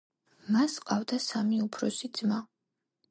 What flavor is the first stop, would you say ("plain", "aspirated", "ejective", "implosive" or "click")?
ejective